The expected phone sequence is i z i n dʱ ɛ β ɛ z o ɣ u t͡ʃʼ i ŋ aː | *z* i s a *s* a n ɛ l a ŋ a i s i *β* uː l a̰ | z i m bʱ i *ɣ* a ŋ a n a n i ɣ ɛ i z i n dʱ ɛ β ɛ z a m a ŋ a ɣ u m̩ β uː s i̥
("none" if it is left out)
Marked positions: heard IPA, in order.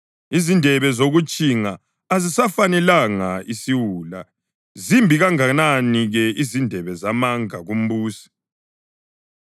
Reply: z, f, w, ɣ

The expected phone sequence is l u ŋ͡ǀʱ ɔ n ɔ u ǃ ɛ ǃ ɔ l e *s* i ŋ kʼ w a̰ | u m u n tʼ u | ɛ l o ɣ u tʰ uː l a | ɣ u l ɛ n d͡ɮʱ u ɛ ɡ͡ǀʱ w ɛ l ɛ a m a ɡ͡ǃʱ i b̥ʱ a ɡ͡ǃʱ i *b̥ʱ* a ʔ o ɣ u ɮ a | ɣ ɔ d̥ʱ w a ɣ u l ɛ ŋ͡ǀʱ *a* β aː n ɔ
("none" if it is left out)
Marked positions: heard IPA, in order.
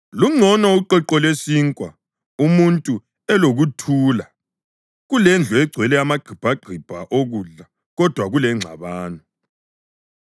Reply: s, b̥ʱ, a

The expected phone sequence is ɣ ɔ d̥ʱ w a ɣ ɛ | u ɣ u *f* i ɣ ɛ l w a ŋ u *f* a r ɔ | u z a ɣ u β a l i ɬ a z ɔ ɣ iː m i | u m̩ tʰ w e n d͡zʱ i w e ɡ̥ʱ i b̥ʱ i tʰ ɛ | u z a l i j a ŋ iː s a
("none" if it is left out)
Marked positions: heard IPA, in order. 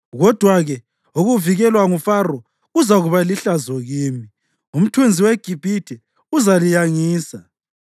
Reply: v, f

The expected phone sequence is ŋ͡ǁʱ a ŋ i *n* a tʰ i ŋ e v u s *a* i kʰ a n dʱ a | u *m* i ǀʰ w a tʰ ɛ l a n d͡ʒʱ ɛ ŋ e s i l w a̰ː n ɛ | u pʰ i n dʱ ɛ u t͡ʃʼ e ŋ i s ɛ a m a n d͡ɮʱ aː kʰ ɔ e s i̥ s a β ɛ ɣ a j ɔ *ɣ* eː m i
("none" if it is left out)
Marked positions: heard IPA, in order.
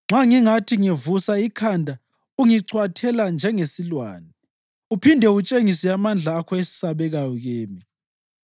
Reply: ŋ, a, ŋ, ɣ

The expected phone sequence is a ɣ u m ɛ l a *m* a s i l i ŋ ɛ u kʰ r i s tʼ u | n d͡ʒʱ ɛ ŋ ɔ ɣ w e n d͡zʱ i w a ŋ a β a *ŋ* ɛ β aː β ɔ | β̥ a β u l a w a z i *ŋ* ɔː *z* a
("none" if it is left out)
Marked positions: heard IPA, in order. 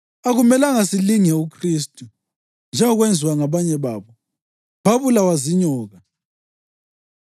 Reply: ŋ, ɲ, ɲ, ɣ

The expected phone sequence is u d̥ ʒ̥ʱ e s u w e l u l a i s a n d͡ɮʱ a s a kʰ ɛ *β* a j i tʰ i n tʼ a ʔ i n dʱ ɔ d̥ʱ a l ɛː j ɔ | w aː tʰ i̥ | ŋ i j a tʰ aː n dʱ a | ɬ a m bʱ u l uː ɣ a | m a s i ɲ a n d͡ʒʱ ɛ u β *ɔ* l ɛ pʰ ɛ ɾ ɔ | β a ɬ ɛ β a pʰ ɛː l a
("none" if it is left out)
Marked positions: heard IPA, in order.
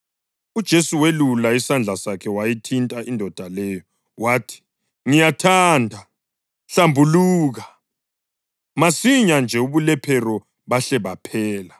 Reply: w, u

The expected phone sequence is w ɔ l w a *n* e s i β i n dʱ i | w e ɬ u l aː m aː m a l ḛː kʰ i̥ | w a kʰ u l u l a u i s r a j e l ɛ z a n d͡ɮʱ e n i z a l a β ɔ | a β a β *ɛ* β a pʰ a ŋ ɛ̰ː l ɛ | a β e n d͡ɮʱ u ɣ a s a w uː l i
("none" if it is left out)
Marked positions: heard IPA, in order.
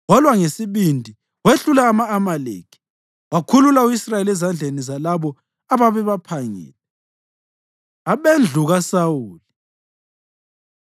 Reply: ŋ, ɛ

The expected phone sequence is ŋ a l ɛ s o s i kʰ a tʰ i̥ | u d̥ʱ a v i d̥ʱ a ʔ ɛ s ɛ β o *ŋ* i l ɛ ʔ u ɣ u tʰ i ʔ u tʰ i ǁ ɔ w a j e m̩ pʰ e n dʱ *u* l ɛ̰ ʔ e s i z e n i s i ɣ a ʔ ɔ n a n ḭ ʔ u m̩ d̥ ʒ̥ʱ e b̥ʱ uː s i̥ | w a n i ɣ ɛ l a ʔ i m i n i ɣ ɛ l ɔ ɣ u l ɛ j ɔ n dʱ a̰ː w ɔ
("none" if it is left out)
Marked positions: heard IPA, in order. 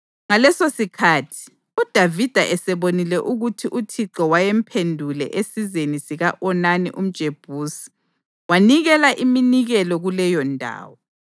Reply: n, u

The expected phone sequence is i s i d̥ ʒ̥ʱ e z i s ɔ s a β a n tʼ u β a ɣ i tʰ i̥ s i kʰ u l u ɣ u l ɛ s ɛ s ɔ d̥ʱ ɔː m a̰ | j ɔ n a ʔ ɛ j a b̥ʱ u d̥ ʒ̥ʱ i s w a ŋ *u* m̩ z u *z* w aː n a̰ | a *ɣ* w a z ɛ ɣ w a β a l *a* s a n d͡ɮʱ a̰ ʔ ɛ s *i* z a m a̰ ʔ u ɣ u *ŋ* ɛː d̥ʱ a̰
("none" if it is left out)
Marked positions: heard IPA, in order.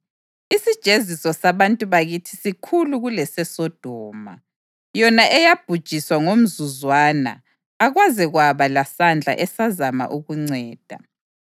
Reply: o, z, ɣ, a, a, ŋ͡ǀ

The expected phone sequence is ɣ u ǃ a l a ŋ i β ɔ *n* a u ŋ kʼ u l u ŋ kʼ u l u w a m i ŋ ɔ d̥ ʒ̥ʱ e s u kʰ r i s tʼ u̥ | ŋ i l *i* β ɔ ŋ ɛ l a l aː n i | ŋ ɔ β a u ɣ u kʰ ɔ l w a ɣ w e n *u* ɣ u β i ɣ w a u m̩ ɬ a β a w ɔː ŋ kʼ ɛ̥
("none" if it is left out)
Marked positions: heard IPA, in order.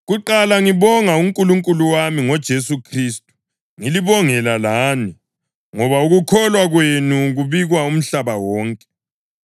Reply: ŋ, i, u

